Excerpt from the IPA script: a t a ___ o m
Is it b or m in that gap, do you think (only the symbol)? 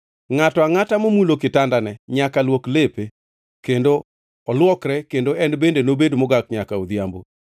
m